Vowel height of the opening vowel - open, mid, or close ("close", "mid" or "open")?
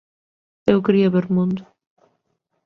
mid